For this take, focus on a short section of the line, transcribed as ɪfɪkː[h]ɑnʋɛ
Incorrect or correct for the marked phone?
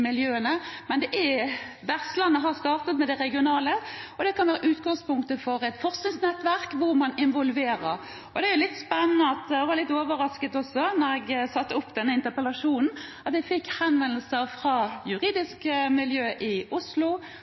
correct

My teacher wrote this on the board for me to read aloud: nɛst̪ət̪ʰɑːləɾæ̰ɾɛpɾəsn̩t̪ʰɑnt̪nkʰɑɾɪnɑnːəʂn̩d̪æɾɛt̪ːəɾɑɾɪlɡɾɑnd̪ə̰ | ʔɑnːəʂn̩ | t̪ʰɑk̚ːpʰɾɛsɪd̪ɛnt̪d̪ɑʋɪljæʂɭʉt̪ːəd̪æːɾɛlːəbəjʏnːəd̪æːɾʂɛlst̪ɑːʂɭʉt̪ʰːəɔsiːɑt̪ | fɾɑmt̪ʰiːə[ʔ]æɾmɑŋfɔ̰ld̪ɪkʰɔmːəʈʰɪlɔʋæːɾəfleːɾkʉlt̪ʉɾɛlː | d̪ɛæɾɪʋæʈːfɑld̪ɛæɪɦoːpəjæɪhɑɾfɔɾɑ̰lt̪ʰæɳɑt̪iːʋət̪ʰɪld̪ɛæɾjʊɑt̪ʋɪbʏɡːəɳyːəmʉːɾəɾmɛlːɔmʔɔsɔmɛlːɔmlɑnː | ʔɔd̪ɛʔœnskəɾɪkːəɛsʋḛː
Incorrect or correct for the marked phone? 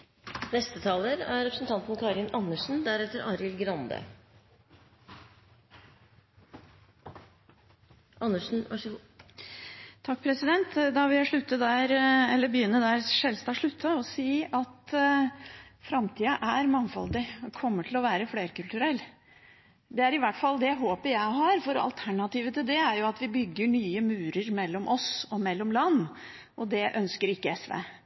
correct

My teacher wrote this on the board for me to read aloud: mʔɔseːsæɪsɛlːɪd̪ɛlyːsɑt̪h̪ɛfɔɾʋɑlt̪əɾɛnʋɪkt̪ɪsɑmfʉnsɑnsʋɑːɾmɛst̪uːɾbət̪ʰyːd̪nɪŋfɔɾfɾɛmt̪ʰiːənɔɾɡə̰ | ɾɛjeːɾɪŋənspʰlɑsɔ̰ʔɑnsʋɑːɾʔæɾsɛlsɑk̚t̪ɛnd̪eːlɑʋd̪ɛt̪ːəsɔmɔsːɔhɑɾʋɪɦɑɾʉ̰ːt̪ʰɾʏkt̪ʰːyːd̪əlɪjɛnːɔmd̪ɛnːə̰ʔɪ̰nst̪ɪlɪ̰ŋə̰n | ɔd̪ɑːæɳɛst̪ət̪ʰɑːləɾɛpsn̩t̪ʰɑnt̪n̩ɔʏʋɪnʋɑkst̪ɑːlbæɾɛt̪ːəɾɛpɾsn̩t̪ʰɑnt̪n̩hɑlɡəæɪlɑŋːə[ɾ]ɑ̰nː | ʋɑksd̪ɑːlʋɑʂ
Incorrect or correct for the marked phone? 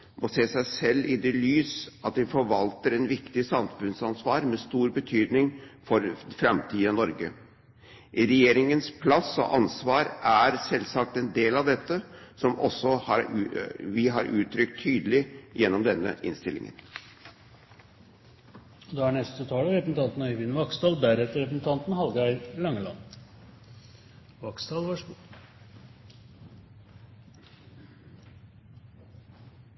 incorrect: l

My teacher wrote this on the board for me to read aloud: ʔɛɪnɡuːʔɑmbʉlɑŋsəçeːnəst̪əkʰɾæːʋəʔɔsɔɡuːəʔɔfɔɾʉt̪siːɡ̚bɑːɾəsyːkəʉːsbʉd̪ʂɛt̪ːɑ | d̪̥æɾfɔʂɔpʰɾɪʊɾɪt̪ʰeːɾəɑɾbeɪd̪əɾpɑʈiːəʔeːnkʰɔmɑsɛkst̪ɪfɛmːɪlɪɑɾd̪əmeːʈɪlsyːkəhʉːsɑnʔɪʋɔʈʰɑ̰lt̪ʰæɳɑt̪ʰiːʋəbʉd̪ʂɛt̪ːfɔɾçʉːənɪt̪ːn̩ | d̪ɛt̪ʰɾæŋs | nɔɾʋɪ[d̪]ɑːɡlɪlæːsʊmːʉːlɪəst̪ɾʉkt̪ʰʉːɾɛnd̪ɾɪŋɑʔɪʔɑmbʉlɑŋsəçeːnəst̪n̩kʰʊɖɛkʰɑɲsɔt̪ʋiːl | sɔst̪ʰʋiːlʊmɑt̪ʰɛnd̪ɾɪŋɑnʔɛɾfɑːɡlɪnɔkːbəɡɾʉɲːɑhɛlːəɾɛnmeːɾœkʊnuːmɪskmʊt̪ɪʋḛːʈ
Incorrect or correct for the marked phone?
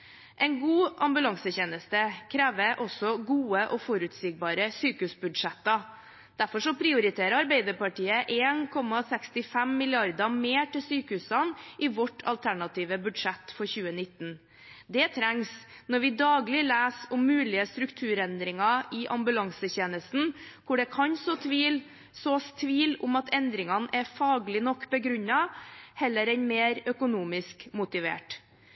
correct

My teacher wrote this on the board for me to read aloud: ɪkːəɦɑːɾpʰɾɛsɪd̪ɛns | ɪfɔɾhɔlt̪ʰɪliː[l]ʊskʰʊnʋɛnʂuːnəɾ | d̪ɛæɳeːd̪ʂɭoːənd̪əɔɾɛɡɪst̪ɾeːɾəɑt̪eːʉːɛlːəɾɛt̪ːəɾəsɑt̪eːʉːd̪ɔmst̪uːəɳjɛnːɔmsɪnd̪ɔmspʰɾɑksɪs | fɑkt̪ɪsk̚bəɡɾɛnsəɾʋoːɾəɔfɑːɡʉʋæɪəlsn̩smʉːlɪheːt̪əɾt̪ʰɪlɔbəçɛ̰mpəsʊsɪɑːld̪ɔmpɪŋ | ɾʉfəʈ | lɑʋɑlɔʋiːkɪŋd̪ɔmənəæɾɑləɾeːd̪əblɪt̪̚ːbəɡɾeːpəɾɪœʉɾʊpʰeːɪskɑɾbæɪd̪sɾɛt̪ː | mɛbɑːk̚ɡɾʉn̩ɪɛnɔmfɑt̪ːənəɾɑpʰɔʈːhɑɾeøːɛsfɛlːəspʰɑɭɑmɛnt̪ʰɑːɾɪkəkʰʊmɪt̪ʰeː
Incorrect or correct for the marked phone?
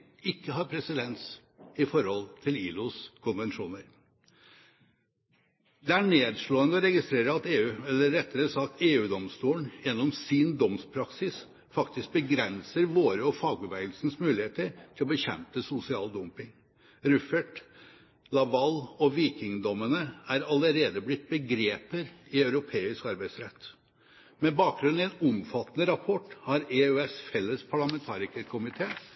correct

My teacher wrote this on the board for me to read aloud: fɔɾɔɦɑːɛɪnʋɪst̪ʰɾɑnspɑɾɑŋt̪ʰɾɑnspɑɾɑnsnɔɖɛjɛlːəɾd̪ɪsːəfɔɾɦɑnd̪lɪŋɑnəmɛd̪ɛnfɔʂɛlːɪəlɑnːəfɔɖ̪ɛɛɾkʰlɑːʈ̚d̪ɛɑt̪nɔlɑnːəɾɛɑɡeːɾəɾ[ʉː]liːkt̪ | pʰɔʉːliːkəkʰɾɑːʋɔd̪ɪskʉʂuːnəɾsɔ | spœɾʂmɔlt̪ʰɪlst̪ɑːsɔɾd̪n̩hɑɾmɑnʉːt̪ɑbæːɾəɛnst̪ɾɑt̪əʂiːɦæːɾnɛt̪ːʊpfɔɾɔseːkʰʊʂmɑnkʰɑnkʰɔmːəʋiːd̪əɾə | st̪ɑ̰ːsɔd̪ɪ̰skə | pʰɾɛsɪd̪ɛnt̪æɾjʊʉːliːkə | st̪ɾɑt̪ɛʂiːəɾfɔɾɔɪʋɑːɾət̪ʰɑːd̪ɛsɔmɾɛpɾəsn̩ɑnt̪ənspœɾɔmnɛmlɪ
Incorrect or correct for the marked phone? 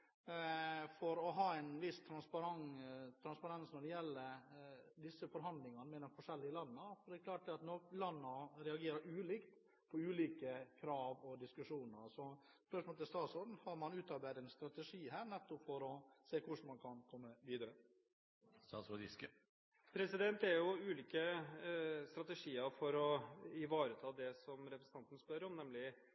correct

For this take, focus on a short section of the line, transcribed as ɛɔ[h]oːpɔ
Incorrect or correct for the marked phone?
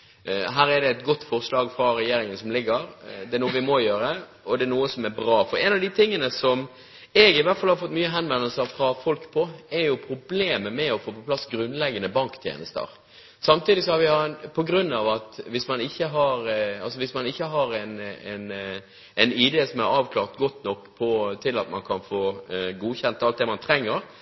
incorrect: f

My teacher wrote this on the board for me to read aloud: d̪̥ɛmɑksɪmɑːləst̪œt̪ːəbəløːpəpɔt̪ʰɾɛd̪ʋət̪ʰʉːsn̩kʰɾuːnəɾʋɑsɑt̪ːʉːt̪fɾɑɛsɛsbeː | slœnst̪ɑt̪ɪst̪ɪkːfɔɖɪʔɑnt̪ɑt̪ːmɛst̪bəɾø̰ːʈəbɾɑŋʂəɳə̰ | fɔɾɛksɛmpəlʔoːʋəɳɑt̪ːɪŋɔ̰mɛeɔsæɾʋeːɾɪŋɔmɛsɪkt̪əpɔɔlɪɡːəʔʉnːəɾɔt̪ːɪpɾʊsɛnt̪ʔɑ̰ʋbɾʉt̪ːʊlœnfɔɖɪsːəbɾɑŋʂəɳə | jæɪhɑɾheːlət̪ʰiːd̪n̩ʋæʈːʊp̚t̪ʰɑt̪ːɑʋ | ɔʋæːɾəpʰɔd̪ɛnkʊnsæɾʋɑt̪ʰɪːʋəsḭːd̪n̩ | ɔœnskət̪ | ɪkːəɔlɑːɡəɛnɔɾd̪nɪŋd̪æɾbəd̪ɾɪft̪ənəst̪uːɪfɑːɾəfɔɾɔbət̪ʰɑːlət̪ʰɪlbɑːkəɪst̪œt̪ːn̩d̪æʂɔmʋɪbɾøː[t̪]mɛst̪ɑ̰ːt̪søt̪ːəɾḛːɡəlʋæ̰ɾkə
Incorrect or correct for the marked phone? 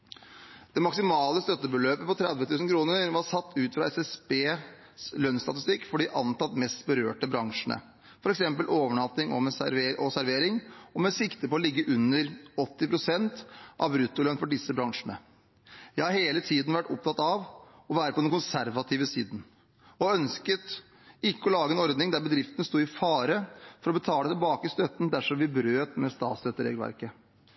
correct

